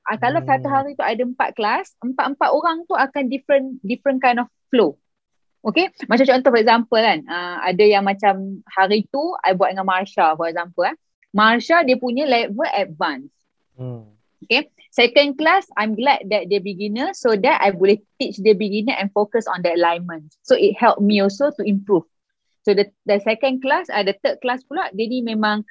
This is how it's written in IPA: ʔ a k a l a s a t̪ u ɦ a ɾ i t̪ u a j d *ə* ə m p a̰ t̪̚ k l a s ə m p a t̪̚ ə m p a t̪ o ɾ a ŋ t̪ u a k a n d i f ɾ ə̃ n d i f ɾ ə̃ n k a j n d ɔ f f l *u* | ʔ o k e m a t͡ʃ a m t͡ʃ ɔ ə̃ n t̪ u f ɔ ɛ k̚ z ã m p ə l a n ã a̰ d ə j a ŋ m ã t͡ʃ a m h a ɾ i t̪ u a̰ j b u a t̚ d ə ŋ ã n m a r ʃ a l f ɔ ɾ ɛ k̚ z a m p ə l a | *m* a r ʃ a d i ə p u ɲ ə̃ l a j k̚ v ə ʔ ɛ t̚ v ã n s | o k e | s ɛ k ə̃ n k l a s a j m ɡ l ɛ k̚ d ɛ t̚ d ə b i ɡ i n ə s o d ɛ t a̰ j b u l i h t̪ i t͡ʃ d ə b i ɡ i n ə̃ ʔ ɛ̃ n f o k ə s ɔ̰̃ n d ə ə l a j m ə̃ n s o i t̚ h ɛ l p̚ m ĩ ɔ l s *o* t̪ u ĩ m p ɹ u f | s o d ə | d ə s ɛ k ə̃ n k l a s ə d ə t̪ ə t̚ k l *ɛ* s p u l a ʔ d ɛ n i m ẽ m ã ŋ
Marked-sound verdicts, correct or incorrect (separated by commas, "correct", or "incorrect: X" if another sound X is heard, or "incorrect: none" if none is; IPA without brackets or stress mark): correct, incorrect: o, correct, correct, incorrect: a